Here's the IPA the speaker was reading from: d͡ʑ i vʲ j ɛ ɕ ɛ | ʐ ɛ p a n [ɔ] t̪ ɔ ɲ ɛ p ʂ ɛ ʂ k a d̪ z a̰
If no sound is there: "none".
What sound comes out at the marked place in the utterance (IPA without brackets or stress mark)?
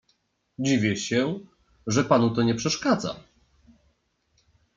u